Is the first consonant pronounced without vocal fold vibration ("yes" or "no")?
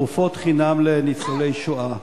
yes